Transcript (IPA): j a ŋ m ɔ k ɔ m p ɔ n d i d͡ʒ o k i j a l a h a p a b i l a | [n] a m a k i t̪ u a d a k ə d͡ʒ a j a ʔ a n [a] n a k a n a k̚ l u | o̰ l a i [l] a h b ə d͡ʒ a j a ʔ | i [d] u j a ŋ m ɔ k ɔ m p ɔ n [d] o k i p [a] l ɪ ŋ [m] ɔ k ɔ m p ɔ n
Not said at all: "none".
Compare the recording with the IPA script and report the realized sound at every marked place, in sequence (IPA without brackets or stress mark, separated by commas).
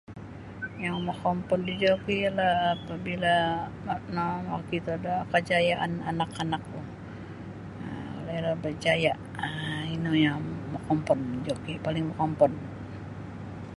n, a, l, n, d͡ʒ, a, m